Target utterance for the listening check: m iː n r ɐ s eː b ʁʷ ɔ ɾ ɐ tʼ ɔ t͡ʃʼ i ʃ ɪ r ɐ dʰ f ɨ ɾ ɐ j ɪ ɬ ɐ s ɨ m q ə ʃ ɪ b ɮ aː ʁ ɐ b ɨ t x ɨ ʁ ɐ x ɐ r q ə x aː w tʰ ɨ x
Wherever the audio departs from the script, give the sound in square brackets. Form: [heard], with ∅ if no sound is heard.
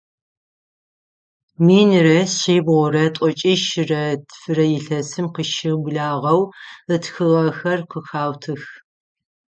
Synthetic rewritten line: m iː n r ɐ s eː b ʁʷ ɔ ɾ ɐ tʼ ɔ t͡ʃʼ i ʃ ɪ r ɐ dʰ f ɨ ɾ ɐ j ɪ ɬ ɐ s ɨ m q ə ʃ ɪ b ɮ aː ʁ ɐ [w] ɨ t x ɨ ʁ ɐ x ɐ r q ə x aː w tʰ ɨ x